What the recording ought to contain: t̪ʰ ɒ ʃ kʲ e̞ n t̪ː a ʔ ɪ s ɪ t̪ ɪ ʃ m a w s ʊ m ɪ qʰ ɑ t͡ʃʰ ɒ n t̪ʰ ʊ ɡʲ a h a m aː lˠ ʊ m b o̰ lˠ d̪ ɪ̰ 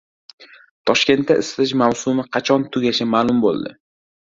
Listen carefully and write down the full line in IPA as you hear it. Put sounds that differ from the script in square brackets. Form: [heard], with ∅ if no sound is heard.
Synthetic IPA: t̪ʰ ɒ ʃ kʲ e̞ n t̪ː a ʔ ɪ s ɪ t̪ ɪ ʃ m a w s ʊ m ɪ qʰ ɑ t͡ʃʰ ɒ n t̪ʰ ʊ ɡʲ a [ʃ] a m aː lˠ ʊ m b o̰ lˠ d̪ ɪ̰